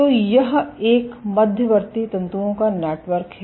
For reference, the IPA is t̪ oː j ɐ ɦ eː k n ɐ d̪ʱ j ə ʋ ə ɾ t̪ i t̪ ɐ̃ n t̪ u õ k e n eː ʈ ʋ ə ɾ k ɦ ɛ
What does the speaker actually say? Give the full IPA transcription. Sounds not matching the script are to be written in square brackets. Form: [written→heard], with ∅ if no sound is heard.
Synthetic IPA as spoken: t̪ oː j ɐ ɦ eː k [n→m] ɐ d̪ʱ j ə ʋ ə ɾ t̪ i t̪ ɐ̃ n t̪ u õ k [e→a] n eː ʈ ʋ ə ɾ k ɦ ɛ